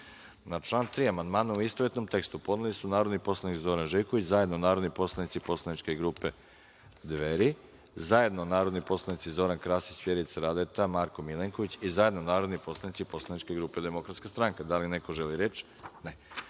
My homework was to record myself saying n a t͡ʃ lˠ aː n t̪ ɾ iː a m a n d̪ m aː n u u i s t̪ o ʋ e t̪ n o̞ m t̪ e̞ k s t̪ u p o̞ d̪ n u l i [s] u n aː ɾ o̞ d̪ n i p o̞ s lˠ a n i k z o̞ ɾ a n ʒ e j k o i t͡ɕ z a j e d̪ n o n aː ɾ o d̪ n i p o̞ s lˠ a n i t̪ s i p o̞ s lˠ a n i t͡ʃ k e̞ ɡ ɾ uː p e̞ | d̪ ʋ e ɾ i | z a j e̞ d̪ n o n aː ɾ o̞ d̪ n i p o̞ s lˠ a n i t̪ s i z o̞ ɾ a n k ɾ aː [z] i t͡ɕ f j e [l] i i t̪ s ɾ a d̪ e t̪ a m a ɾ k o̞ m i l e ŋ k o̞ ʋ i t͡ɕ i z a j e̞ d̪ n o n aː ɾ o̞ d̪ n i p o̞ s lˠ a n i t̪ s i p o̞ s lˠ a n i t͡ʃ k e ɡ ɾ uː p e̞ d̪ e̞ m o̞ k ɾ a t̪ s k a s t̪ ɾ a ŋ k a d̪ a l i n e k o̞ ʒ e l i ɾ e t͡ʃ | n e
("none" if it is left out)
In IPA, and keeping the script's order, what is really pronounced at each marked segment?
s, s, ɾ

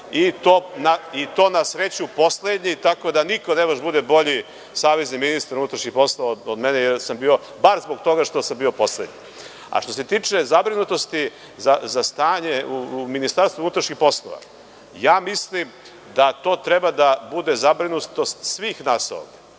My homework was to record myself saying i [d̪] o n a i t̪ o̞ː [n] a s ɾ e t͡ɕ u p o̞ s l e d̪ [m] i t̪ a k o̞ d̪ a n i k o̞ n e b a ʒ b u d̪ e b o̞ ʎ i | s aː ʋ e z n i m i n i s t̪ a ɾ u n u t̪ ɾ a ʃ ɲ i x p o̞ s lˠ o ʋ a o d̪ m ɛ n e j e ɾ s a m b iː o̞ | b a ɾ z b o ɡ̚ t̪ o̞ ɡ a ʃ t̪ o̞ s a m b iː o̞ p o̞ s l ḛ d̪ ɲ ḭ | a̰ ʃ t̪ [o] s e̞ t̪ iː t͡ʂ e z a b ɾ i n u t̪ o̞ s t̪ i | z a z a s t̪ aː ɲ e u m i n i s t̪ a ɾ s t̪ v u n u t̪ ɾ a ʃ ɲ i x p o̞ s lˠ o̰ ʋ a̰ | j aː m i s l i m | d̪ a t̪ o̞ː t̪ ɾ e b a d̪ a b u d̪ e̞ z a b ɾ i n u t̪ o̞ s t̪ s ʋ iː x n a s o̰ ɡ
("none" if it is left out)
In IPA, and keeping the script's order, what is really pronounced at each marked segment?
t̪, n, ɲ, o

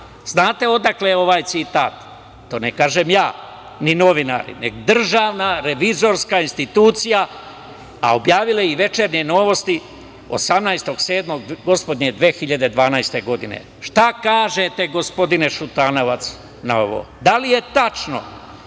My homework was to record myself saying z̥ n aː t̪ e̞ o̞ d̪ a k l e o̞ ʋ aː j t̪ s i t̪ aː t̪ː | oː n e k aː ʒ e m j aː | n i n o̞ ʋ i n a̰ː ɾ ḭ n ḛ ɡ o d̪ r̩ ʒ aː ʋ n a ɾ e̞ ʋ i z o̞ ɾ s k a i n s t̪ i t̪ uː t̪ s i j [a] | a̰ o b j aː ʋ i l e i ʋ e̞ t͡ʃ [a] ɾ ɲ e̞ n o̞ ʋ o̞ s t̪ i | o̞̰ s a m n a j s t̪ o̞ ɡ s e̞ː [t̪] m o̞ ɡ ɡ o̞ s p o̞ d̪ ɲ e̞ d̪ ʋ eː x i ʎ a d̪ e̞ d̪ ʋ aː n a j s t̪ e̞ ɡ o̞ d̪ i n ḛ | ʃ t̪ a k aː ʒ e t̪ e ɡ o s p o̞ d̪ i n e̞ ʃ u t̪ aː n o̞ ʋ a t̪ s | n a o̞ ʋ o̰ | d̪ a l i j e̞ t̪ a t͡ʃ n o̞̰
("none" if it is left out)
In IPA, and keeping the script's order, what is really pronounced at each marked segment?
a, e, d̪

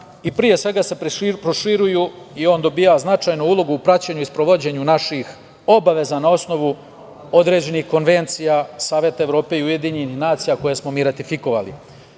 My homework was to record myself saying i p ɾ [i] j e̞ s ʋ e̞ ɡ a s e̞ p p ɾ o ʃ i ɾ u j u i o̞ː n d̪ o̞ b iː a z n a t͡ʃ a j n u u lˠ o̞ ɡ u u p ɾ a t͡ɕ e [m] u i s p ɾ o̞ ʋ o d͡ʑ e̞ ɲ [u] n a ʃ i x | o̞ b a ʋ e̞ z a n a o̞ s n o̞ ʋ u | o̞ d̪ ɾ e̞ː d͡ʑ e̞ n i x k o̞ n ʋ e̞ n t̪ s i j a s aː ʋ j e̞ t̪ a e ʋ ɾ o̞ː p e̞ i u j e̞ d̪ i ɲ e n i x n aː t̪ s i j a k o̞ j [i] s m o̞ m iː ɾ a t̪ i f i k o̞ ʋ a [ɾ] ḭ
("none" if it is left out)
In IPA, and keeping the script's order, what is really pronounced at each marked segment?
i, ɲ, u, e, l

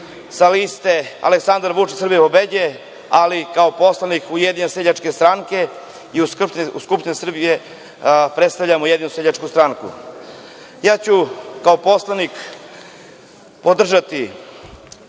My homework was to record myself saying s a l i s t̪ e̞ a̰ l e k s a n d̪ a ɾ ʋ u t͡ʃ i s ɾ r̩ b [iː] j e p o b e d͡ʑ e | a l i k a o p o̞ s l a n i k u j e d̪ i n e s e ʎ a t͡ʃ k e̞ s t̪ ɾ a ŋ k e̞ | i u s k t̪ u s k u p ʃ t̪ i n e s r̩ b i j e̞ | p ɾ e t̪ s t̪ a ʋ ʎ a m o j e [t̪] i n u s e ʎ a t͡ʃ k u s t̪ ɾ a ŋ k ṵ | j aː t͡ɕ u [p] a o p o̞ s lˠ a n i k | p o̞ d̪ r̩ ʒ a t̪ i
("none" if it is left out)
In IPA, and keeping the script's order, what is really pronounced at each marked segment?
i, d̪, k

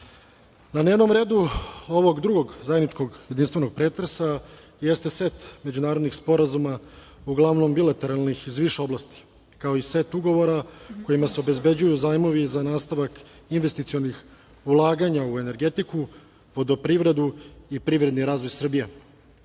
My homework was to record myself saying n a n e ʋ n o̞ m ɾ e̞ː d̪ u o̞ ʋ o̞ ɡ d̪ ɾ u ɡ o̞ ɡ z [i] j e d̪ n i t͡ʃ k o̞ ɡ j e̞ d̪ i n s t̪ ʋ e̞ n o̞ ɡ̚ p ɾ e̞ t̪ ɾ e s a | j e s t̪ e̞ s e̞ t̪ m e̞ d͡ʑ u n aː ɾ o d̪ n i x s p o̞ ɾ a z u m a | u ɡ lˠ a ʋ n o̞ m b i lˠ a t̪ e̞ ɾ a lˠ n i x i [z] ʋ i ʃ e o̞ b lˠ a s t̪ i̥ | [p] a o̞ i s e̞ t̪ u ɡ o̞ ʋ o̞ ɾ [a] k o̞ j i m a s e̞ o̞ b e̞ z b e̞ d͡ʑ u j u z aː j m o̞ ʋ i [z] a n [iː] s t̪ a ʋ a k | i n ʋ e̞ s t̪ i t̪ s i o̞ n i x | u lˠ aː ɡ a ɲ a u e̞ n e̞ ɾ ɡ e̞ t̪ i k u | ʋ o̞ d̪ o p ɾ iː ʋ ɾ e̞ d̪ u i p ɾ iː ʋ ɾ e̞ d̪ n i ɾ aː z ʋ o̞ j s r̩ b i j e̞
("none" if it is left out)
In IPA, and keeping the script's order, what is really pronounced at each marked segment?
a, z, k, a, z, aː

